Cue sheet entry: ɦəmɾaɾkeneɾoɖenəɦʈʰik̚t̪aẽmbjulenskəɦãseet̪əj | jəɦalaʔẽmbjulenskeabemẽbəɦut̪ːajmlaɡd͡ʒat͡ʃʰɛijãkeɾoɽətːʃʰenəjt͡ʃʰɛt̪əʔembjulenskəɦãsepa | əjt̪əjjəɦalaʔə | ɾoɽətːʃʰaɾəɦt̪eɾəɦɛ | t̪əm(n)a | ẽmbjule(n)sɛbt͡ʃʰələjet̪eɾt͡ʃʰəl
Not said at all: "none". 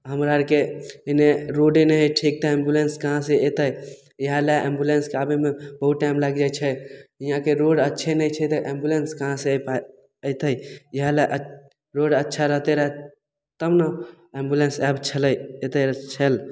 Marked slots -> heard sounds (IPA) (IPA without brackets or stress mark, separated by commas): n, n